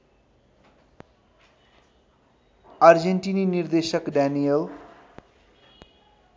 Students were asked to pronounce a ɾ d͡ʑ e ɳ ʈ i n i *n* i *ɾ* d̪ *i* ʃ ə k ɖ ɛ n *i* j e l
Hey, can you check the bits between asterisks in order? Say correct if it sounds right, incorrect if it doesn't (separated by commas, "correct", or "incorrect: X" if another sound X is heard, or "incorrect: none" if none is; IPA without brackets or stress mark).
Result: correct, correct, incorrect: e, correct